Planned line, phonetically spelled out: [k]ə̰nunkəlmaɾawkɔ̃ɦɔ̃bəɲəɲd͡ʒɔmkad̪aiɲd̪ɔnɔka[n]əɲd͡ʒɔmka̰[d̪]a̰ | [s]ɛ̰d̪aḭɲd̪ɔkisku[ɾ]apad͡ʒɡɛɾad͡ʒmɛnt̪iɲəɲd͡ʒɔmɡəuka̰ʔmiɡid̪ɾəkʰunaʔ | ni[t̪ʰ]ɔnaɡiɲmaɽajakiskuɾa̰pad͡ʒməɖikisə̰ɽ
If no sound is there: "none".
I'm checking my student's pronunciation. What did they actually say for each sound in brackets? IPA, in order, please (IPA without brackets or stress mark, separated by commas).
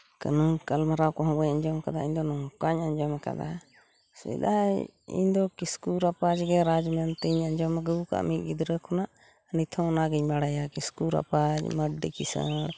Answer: k, ɲ, d̪, s, ɾ, t̪ʰ